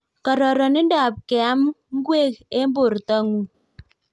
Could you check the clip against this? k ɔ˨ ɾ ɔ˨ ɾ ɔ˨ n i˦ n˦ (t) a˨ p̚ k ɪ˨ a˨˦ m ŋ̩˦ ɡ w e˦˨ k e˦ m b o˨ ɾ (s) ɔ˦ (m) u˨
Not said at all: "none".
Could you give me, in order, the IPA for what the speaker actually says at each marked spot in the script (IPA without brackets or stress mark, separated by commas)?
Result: d, t, ŋ